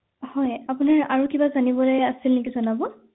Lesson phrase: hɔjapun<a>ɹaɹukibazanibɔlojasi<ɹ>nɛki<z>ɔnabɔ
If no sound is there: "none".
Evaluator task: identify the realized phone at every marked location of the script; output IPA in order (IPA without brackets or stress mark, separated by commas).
a, l, z